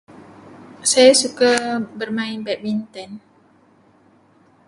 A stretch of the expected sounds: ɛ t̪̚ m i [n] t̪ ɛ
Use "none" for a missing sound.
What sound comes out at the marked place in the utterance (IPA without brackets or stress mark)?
n